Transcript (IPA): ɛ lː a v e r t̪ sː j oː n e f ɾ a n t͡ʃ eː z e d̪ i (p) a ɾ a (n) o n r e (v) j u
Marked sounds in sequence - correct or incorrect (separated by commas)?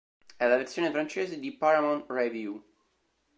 correct, incorrect, correct